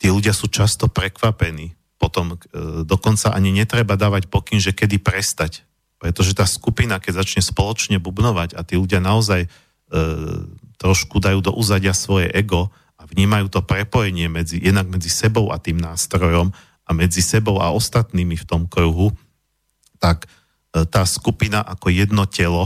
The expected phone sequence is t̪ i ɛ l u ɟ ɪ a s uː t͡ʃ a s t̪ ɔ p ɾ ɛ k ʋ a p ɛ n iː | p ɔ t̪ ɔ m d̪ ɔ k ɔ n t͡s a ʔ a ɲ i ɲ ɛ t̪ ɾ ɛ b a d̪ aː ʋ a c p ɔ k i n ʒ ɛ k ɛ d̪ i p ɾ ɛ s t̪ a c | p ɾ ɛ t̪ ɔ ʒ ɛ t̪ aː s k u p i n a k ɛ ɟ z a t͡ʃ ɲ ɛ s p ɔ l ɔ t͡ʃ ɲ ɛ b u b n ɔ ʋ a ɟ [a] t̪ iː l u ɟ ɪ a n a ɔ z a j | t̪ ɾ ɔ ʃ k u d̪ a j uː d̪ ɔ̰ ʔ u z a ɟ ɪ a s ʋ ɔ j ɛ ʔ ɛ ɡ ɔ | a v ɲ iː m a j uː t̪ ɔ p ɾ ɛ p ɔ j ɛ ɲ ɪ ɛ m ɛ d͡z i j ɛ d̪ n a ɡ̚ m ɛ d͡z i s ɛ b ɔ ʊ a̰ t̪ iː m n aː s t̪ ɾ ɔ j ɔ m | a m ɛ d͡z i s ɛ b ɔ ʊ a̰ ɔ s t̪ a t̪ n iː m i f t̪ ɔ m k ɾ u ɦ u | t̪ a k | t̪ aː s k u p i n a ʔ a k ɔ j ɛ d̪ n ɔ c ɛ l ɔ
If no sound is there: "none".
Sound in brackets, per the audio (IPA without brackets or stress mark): a